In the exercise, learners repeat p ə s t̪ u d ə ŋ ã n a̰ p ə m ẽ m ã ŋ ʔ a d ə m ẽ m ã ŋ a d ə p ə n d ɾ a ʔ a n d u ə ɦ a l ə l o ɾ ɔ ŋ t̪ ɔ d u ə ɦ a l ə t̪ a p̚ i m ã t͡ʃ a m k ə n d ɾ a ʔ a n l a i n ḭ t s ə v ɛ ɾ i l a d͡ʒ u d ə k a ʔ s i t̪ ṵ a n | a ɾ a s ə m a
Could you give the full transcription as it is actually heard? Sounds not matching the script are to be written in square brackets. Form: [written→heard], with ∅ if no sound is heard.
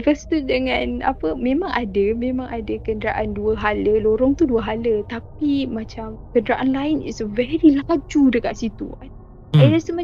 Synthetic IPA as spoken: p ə s t̪ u d ə ŋ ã n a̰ p ə m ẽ m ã ŋ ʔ a d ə m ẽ m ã ŋ a d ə [p→k] ə n d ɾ a ʔ a n d u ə ɦ a l ə l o ɾ ɔ ŋ t̪ [ɔ→u] d u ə ɦ a l ə t̪ a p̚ i m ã t͡ʃ a m k ə n d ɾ a ʔ a n l a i n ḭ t s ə v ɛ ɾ i l a d͡ʒ u d ə k a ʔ s i t̪ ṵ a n | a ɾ a s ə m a